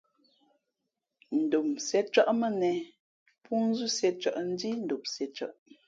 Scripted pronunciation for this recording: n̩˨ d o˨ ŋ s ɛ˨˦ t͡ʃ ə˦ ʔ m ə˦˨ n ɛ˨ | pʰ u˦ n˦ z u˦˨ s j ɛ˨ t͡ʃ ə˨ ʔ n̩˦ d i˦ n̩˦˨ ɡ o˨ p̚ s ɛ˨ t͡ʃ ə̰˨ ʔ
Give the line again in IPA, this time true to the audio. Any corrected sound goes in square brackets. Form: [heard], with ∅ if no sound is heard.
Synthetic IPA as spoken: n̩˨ d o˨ [m] s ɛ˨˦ t͡ʃ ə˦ ʔ m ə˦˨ n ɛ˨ | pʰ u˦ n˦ z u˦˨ s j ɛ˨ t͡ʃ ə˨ ʔ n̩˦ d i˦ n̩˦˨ [d] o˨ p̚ s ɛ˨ t͡ʃ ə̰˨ ʔ